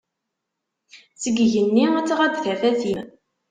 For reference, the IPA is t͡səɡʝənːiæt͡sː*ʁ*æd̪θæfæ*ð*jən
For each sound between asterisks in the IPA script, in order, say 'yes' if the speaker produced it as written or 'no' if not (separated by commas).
yes, no